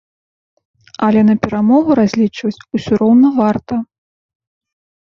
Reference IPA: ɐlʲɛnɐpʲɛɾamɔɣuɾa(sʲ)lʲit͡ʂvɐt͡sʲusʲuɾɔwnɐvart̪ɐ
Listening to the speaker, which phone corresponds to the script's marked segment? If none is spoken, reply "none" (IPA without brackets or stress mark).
zʲ